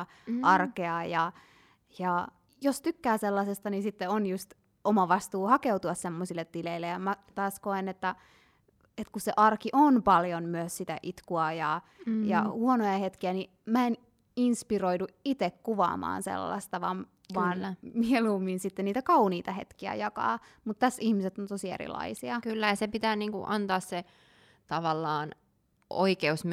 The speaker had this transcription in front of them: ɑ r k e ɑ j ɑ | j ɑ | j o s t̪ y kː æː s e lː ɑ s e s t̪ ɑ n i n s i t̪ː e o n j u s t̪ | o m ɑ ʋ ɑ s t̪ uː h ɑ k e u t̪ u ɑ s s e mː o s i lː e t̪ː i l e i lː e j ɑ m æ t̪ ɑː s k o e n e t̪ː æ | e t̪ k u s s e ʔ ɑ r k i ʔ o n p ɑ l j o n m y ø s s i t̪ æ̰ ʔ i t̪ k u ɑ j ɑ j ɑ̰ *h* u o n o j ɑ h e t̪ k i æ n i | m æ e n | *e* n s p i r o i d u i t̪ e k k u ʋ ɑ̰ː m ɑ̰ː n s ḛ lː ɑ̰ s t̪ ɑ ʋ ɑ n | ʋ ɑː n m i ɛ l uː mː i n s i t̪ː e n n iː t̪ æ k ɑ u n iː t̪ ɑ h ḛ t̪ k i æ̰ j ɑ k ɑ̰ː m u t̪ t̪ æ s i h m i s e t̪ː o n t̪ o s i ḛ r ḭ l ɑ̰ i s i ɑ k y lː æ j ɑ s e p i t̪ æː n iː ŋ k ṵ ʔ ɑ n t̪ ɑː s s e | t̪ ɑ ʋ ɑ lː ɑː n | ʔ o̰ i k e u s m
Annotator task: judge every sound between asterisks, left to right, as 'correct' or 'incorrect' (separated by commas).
correct, incorrect